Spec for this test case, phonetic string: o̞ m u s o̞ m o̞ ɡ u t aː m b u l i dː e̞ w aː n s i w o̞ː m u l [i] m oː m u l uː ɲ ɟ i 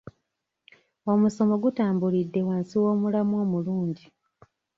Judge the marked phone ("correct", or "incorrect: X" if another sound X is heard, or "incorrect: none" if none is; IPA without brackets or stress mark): incorrect: a